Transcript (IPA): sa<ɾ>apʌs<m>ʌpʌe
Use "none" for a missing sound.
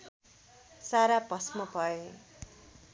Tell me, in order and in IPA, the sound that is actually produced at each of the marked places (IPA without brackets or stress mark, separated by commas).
ɾ, m